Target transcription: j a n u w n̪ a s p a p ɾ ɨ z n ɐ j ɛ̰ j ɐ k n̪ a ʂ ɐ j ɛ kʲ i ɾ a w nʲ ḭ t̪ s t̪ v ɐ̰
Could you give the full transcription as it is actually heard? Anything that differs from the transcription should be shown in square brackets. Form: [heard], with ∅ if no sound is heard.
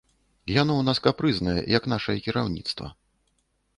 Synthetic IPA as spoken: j a n [ɔ] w n̪ a s [k] a p ɾ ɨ z n ɐ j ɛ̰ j ɐ k n̪ a ʂ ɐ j ɛ kʲ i ɾ a w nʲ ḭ t̪ s t̪ v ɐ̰

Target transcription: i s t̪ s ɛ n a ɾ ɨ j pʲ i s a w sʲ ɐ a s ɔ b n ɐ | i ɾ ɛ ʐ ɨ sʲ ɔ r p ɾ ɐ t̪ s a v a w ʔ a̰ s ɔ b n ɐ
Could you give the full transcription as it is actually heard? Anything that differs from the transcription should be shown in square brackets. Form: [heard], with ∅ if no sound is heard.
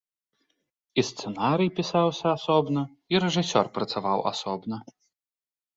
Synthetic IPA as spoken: i s t̪ s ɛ n a ɾ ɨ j pʲ i s a w sʲ ɐ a s ɔ b n ɐ | i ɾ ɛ ʐ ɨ sʲ ɔ r p ɾ ɐ t̪ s a v a w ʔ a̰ s ɔ b n ɐ

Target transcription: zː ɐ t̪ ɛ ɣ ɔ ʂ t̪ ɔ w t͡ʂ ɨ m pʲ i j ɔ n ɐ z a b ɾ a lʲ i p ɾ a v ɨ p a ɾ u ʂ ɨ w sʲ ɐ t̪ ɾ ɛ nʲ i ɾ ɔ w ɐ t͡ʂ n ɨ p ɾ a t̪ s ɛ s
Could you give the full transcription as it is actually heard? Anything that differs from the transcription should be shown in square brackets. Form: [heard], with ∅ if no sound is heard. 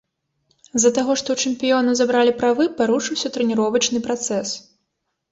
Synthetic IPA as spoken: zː ɐ t̪ [a] ɣ ɔ ʂ t̪ ɔ w t͡ʂ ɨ m pʲ i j ɔ n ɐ z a b ɾ a lʲ i p ɾ a v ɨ p a ɾ u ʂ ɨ w sʲ ɐ t̪ ɾ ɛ nʲ i ɾ ɔ [v] ɐ t͡ʂ n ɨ p ɾ a t̪ s ɛ s

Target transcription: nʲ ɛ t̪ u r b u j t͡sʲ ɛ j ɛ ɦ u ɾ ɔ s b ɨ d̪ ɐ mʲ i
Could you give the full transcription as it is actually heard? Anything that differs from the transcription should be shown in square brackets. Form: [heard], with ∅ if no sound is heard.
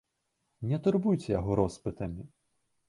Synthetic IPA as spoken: nʲ ɛ t̪ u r b u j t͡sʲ ɛ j [a] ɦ [ɔ] ɾ ɔ s [p] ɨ [t̪] ɐ mʲ i

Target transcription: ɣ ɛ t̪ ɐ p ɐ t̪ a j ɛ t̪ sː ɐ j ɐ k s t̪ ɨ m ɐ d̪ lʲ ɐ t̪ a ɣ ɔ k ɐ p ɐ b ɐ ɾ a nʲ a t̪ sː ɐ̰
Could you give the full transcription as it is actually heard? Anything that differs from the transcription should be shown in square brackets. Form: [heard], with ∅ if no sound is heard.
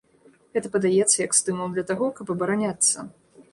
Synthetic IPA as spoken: ɣ ɛ t̪ ɐ p ɐ [d̪] a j ɛ t̪ sː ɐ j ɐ k s t̪ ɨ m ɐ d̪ lʲ ɐ t̪ a ɣ ɔ k ɐ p ɐ b ɐ ɾ a nʲ a t̪ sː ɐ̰

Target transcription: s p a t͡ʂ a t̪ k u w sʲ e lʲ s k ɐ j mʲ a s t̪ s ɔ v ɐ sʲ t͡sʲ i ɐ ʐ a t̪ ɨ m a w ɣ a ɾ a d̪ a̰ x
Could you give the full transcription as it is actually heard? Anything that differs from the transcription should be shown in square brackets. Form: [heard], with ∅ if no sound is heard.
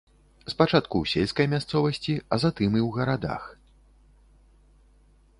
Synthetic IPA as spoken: s p a t͡ʂ a t̪ k u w sʲ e lʲ s k ɐ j mʲ a s t̪ s ɔ v ɐ sʲ t͡sʲ i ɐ [z] a t̪ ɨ m [i] w ɣ [ɐ] ɾ a d̪ a̰ x

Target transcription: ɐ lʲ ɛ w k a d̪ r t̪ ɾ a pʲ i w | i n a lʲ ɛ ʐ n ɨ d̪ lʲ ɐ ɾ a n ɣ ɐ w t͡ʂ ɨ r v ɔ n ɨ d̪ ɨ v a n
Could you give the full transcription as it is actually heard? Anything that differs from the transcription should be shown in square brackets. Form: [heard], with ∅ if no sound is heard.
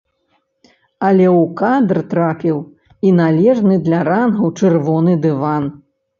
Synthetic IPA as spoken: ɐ lʲ ɛ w k a d̪ r t̪ ɾ a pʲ i w | i n a lʲ ɛ ʐ n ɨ d̪ lʲ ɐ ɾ a n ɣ ɐ w t͡ʂ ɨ r v ɔ n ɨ d̪ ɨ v a n

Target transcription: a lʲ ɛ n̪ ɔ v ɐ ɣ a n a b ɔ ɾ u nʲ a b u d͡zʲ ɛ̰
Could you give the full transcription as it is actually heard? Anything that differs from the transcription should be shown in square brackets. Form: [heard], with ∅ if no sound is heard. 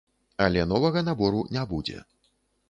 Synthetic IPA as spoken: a lʲ ɛ n̪ ɔ v ɐ ɣ [ɐ] n a b ɔ ɾ u nʲ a b u d͡zʲ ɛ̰

